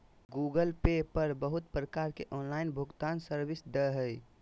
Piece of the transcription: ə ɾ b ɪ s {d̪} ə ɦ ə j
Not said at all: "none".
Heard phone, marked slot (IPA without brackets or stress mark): d̪